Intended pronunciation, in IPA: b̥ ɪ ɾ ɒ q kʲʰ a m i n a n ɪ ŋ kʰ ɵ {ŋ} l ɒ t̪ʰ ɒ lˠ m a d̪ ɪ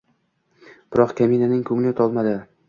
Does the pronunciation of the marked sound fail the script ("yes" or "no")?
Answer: no